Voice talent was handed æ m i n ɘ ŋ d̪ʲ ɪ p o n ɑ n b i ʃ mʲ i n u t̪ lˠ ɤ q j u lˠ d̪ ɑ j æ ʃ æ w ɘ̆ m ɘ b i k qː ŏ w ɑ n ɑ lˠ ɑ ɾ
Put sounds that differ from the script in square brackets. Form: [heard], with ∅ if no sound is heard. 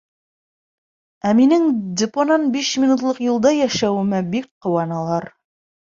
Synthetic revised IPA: æ m i n ɘ ŋ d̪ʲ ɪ p o n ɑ n b i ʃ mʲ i n u t̪ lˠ ɤ q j u lˠ d̪ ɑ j æ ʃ æ w ɘ̆ m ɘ b i k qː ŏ w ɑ n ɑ lˠ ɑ ɾ

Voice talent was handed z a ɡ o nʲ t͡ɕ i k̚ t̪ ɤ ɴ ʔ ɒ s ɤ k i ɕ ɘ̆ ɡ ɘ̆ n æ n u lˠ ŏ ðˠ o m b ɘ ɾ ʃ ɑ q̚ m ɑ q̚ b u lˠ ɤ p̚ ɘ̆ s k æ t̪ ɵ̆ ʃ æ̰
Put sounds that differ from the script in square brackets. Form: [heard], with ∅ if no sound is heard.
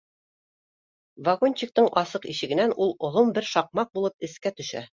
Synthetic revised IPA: [v] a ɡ o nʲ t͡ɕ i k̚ t̪ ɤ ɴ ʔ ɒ s ɤ [q] i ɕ ɘ̆ ɡ ɘ̆ n æ n u lˠ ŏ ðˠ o m b ɘ ɾ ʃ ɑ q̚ m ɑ q̚ b u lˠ ɤ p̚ ɘ̆ s k æ t̪ ɵ̆ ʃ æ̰

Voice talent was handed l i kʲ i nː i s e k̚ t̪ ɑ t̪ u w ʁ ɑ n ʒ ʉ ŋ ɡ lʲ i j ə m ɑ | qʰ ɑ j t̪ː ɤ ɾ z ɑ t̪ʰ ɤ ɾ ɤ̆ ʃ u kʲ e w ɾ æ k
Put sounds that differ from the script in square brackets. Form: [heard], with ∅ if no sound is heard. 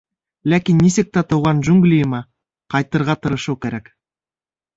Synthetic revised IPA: l [æ] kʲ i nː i s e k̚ t̪ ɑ t̪ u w ʁ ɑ n ʒ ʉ ŋ ɡ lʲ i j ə m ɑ | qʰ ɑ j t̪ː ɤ ɾ [ʁ] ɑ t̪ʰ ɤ ɾ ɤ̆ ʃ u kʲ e [∅] ɾ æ k

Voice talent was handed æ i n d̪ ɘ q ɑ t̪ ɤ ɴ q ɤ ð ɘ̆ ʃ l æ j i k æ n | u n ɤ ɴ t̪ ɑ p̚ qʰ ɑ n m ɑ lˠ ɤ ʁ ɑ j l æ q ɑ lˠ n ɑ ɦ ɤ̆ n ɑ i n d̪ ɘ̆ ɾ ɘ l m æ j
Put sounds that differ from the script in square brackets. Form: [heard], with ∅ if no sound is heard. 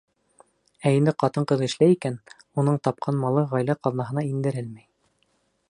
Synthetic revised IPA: æ i n d̪ ɘ q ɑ t̪ ɤ ɴ q ɤ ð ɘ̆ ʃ l æ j i k æ n | u n ɤ ɴ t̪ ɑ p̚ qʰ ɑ n m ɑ lˠ ɤ ʁ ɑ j l æ q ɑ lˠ n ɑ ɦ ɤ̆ n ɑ i n d̪ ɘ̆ ɾ ɘ l m æ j

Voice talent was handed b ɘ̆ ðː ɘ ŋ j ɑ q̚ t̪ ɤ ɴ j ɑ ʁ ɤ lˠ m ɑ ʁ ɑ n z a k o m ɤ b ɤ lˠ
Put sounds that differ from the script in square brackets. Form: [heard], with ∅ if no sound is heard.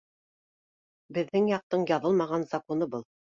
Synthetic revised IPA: b ɘ̆ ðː ɘ ŋ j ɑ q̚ t̪ ɤ ɴ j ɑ [ð] ɤ lˠ m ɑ ʁ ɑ n z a k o [n] ɤ b ɤ lˠ

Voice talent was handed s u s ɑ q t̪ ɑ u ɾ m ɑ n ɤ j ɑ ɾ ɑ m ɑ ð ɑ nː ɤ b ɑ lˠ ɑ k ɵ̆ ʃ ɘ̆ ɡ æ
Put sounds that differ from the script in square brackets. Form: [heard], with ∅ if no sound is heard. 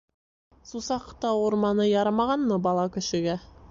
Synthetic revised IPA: s u s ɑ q t̪ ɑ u ɾ m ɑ n ɤ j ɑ ɾ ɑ m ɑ [ʁ] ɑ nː ɤ b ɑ lˠ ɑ k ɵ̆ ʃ ɘ̆ ɡ æ

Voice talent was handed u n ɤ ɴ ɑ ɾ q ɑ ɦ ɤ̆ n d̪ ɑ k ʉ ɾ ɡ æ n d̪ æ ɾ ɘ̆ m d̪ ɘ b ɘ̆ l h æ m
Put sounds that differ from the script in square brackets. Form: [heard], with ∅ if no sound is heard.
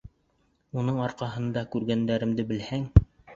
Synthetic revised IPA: u n ɤ ɴ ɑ ɾ q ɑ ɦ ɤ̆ n d̪ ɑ k ʉ ɾ ɡ æ n d̪ æ ɾ ɘ̆ m d̪ ɘ b ɘ̆ l h æ [ŋ]

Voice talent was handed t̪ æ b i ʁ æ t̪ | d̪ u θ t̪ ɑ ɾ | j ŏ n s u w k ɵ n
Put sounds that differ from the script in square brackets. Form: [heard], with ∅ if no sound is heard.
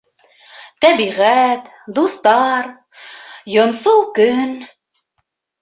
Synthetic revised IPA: t̪ æ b i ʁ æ t̪ | d̪ u θ t̪ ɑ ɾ | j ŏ n s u w k ɵ n

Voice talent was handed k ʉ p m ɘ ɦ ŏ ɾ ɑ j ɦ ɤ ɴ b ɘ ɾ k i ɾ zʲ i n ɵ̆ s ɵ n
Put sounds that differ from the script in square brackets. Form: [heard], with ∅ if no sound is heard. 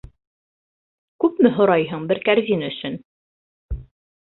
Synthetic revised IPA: k ʉ p m ɘ ɦ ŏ ɾ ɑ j ɦ ɤ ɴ b ɘ ɾ k [æ] ɾ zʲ i n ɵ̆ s ɵ n

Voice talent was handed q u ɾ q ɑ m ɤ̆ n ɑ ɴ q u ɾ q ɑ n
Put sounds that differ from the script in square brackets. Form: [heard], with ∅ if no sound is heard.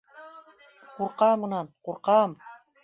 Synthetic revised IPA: q u ɾ q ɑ m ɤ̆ n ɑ [n] q u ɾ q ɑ [m]

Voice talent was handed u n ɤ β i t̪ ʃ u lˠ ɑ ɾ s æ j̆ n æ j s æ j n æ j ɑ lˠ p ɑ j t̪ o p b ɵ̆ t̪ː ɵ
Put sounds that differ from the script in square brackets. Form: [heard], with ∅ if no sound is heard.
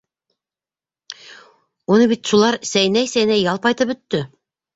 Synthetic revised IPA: u n ɤ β i t̪ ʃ u lˠ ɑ ɾ s æ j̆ n æ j s æ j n æ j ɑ lˠ p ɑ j t̪ [ɤ] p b ɵ̆ t̪ː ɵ

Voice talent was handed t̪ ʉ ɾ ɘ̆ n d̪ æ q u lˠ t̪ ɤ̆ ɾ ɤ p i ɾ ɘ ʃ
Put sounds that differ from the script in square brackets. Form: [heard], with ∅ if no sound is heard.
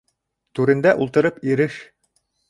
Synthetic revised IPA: t̪ ʉ ɾ ɘ̆ n d̪ æ [ʔ] u lˠ t̪ ɤ̆ ɾ ɤ p i ɾ ɘ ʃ

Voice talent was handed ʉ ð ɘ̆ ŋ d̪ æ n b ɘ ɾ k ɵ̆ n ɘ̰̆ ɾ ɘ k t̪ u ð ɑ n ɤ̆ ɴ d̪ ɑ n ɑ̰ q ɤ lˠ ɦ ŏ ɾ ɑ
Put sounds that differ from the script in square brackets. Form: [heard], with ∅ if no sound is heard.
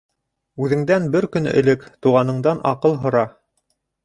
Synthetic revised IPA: ʉ ð ɘ̆ ŋ d̪ æ n b ɘ ɾ k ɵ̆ n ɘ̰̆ [l] ɘ k t̪ u [ʁ] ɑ n ɤ̆ ɴ d̪ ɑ n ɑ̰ q ɤ lˠ ɦ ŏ ɾ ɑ

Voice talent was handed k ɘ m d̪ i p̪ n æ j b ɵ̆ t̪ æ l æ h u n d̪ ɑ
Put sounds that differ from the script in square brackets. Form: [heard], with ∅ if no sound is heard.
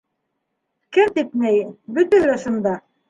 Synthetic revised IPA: k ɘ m [t̪] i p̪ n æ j b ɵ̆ t̪ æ l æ [ʃ] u n d̪ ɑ

